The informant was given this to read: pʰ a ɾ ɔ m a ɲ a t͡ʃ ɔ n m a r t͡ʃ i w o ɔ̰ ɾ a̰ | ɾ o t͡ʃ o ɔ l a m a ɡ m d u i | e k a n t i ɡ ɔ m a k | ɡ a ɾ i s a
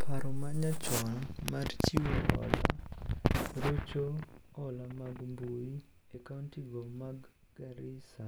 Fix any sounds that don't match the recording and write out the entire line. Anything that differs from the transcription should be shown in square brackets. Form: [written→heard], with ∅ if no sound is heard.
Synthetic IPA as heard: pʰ a ɾ ɔ m a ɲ a t͡ʃ ɔ n m a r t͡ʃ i w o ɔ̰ [ɾ→l] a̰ | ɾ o t͡ʃ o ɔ l a m a ɡ m [d→b] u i | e k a n t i ɡ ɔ m a [k→ɡ] | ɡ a ɾ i s a